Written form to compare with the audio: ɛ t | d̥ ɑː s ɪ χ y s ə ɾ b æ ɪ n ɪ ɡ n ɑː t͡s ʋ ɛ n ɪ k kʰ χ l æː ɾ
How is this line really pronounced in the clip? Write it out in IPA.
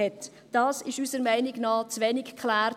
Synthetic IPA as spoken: ɛ t | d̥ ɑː s ɪ ʃ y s ə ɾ m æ ɪ n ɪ ɡ n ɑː t͡s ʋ ɛ n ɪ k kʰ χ l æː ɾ